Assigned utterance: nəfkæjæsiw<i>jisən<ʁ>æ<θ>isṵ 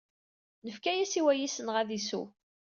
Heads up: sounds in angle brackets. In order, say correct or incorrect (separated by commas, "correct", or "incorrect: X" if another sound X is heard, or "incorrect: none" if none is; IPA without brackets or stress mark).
incorrect: æ, correct, incorrect: ð